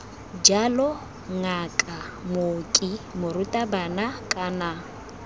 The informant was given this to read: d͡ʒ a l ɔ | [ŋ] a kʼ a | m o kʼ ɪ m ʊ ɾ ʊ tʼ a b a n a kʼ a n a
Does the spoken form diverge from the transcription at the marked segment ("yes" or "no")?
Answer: no